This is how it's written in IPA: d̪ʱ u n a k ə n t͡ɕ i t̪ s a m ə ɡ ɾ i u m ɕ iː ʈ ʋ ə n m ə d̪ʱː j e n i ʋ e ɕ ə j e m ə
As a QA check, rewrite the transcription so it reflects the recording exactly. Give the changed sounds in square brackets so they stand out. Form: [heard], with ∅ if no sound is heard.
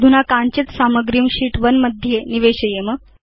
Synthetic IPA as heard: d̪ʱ u n a k [a] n t͡ɕ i t̪ s a m ə ɡ ɾ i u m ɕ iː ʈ ʋ ə n m ə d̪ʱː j e n i ʋ e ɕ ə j e m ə